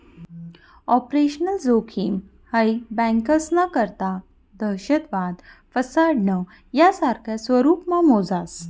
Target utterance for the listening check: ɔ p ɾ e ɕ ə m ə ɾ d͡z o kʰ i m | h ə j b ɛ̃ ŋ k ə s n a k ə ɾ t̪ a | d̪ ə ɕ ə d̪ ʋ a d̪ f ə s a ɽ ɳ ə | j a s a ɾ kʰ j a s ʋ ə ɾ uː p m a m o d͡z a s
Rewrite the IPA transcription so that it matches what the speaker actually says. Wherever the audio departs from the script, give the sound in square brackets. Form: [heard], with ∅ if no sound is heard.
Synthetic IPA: ɔ p ɾ e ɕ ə [n] ə [l] d͡z o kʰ i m | h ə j b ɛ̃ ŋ k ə s n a k ə ɾ t̪ a | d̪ ə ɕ ə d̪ ʋ a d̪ f ə s a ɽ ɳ ə | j a s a ɾ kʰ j a s ʋ ə ɾ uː p m a m o d͡z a s